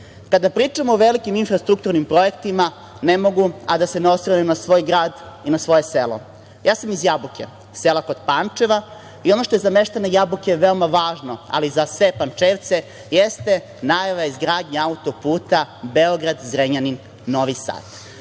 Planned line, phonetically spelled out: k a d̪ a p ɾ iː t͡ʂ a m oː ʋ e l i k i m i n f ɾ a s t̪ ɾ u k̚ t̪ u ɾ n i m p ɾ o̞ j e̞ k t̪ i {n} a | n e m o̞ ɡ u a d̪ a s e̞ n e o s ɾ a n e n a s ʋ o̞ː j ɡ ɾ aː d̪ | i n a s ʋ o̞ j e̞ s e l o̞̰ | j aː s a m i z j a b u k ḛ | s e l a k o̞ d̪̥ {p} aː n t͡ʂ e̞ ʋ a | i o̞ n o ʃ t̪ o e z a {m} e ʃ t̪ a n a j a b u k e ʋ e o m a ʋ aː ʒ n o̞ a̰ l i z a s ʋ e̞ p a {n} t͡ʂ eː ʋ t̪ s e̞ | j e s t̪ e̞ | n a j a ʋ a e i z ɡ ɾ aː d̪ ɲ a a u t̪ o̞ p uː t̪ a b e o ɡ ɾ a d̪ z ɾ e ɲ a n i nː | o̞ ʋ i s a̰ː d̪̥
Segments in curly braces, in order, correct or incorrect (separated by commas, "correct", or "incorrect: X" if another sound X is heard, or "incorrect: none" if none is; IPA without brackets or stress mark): incorrect: m, correct, correct, correct